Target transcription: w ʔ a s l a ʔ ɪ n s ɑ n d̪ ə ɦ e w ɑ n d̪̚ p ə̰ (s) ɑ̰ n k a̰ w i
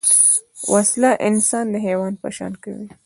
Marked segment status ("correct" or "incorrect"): incorrect